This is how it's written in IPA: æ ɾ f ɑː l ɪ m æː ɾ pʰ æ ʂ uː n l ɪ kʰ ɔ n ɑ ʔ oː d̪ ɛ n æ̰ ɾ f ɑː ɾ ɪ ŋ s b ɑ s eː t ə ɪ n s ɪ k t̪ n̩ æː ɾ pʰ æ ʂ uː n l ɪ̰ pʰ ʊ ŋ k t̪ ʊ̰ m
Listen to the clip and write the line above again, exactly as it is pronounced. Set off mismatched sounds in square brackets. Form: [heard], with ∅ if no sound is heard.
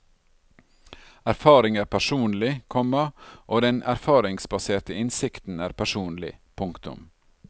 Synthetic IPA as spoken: æ ɾ f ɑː [ɾ] ɪ [ŋ] æː ɾ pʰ æ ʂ uː n l ɪ kʰ ɔ [m] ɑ ʔ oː d̪ ɛ n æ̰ ɾ f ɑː ɾ ɪ ŋ s b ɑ s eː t ə ɪ n s ɪ k t̪ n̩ æː ɾ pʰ æ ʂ uː n l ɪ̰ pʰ ʊ ŋ k t̪ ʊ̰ m